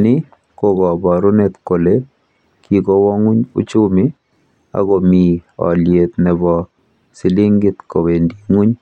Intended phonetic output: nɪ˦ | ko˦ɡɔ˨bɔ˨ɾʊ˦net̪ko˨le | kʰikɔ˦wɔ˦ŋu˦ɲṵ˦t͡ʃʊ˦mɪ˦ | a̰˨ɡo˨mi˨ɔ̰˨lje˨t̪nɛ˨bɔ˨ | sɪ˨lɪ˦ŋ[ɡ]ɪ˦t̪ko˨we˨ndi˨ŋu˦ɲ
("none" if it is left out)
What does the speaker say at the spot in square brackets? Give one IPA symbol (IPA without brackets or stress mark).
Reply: ɡ